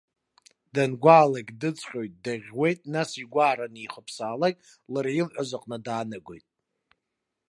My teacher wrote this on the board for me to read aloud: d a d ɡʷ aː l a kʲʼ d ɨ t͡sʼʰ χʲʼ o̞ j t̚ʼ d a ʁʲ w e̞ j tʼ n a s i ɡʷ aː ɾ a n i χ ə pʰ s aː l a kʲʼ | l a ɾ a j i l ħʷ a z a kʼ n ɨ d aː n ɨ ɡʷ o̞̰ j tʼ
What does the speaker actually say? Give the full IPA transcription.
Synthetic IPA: d a n ɡʷ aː l a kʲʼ d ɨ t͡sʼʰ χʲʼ o̞ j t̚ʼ d a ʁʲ w e̞ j tʼ n a s i ɡʷ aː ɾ a n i χ ə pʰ s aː l a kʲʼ | l a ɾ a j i l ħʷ a z a qʼ n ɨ d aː n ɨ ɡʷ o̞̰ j tʼ